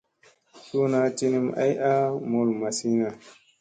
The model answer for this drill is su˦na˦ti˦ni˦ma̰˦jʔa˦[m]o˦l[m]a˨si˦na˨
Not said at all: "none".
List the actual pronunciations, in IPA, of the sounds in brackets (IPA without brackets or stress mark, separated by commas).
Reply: m, m